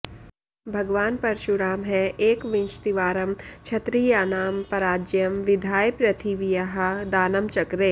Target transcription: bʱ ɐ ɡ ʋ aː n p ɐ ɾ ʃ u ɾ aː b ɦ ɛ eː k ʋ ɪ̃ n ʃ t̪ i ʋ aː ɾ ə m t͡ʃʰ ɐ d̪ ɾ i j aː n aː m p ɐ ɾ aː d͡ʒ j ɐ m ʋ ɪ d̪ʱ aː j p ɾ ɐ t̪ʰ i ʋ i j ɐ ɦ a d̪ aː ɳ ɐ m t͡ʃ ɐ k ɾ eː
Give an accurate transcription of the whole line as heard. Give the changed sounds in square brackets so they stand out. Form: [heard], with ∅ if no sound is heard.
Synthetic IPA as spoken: bʱ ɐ ɡ ʋ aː n p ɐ ɾ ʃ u ɾ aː [m] ɦ ɛ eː k ʋ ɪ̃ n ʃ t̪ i ʋ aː ɾ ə m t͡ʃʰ ɐ [t̪] ɾ i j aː n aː m p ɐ ɾ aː d͡ʒ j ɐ m ʋ ɪ d̪ʱ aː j p ɾ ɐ t̪ʰ i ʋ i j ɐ ɦ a d̪ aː [n] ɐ m t͡ʃ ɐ k ɾ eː